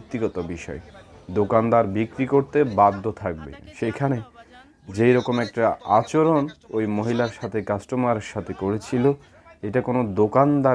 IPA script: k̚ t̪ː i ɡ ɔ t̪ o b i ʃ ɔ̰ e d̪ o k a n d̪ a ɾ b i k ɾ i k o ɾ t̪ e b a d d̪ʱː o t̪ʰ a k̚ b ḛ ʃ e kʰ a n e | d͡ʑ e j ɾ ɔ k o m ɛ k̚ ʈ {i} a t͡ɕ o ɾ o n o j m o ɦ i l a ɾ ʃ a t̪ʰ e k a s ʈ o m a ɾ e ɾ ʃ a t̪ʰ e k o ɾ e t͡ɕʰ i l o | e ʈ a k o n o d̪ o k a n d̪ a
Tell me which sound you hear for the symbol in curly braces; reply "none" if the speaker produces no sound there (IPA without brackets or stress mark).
a